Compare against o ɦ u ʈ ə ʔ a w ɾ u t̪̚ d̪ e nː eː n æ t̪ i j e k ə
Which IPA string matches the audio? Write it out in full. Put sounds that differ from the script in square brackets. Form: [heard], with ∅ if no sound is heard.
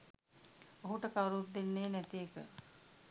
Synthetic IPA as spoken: o ɦ u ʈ ə [k] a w ɾ u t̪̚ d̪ e nː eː n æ t̪ i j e k ə